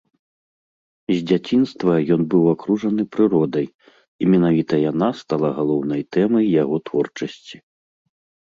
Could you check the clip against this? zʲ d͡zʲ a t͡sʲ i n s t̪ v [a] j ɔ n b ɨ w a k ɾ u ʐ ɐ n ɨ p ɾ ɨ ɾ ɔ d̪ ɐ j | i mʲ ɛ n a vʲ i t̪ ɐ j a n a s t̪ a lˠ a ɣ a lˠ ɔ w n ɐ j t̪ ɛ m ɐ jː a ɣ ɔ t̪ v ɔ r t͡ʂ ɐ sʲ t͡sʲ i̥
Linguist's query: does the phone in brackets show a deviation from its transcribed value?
yes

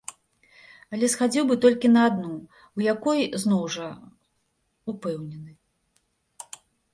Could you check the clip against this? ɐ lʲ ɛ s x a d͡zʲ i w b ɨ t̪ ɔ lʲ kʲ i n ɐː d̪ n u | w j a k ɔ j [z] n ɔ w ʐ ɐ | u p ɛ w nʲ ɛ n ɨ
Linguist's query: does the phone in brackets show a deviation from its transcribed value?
no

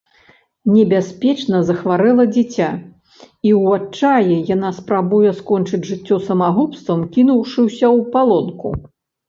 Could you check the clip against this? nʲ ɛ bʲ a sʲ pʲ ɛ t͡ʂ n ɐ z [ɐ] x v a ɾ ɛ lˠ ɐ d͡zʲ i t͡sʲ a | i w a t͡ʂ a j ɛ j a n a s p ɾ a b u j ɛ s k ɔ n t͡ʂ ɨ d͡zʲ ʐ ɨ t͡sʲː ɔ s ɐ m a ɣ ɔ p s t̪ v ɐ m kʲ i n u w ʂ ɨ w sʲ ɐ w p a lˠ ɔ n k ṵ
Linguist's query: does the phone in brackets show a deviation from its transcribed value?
no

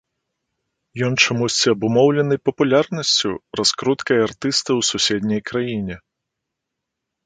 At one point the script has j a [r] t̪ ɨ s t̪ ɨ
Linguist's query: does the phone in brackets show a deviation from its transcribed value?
no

